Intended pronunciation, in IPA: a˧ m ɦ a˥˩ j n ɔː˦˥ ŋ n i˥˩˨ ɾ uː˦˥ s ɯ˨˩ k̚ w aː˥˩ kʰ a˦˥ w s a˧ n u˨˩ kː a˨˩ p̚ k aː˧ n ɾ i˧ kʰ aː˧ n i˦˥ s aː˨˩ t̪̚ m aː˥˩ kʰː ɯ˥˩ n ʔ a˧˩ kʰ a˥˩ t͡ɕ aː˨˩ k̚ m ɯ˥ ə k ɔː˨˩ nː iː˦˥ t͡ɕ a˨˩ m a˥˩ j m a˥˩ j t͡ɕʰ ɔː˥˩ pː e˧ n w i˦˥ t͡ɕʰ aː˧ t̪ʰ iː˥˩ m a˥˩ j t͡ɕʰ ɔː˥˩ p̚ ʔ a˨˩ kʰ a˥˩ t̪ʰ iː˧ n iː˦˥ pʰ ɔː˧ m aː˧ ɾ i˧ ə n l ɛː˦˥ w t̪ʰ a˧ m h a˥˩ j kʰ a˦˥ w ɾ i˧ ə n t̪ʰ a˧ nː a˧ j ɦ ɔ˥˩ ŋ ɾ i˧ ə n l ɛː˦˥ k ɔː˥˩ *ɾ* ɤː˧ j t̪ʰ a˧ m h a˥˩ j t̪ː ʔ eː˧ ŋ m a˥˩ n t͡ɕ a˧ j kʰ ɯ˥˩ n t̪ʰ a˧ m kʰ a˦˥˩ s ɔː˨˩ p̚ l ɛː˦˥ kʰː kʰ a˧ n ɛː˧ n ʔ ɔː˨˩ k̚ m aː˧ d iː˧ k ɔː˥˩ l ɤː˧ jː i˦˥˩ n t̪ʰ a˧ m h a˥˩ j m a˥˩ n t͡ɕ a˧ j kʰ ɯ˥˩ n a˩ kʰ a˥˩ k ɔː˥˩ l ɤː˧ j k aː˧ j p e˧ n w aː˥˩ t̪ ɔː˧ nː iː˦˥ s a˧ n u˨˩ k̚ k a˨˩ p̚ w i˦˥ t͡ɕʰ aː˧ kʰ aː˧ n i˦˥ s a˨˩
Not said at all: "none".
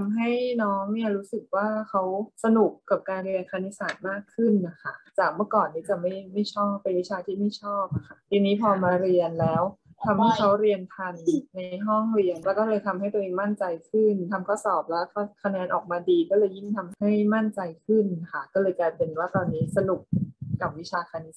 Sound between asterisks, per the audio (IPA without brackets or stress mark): l